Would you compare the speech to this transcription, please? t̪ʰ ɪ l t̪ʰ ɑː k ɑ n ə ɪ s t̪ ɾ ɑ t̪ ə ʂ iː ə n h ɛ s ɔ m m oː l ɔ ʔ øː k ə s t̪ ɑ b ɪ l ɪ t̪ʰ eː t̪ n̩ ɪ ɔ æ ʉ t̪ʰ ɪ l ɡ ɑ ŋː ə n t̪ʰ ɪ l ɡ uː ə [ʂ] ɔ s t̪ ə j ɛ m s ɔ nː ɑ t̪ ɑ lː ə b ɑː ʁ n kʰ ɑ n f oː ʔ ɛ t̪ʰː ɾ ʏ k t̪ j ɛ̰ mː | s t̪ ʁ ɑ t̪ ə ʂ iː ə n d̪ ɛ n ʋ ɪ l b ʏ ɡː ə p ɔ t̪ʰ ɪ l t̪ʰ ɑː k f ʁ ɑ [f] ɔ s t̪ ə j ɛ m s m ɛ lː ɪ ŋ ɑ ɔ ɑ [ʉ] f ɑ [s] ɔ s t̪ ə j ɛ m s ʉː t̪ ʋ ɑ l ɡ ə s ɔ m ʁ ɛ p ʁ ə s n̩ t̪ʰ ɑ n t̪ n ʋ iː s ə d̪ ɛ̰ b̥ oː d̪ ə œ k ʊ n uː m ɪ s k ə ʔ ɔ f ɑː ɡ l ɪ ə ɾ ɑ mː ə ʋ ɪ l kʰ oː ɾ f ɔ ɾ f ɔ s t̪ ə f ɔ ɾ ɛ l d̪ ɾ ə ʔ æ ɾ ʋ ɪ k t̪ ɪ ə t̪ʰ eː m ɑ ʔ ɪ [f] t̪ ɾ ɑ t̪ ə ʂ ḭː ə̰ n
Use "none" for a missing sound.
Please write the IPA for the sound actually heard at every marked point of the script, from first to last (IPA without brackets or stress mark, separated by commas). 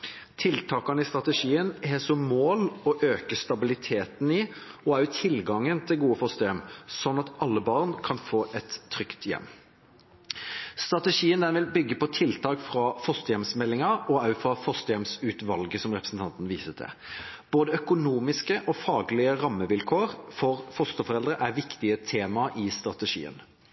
f, f, ʉ, f, s